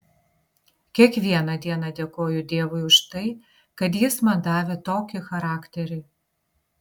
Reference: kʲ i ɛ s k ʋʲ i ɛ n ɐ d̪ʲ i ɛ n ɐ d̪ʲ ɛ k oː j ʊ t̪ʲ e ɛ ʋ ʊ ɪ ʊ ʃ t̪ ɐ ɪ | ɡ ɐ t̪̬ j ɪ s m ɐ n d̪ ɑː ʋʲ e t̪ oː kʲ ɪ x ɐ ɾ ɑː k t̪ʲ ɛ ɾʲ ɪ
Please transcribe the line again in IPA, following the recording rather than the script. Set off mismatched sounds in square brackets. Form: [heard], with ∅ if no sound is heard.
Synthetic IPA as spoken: kʲ i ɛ [∅] k ʋʲ i ɛ n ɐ d̪ʲ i ɛ n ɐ d̪ʲ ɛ k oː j ʊ [d̪ʲ] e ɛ ʋ ʊ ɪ ʊ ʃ t̪ ɐ ɪ | [k] ɐ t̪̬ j ɪ s m ɐ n d̪ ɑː ʋʲ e t̪ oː kʲ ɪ x ɐ ɾ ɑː k t̪ʲ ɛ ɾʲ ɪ